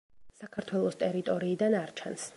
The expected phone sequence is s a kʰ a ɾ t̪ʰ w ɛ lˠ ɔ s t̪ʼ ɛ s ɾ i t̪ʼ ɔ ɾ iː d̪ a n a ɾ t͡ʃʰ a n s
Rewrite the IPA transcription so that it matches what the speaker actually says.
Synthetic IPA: s a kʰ a ɾ t̪ʰ w ɛ lˠ ɔ s t̪ʼ ɛ ɾ i t̪ʼ ɔ ɾ iː d̪ a n a ɾ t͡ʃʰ a n s